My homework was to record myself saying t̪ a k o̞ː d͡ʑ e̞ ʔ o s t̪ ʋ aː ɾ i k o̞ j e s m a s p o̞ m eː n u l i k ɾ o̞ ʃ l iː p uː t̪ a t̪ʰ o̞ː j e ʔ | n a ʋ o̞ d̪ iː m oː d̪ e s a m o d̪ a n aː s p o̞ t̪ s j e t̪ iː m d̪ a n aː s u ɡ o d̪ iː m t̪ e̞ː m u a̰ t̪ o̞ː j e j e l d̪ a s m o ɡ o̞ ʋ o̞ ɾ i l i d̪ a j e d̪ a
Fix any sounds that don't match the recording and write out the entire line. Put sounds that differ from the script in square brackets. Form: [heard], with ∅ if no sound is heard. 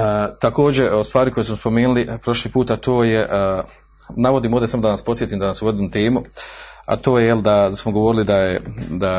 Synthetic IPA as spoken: t̪ a k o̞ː d͡ʑ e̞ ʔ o s t̪ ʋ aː ɾ i k o̞ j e s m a s p o̞ m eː n u l i [p] ɾ o̞ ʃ l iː p uː t̪ a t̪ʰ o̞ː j e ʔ | n a ʋ o̞ d̪ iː m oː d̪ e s a m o d̪ a n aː s p o̞ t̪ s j e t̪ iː m d̪ a n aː s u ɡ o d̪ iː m t̪ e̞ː m u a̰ t̪ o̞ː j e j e l d̪ a s m o ɡ o̞ ʋ o̞ ɾ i l i d̪ a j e d̪ a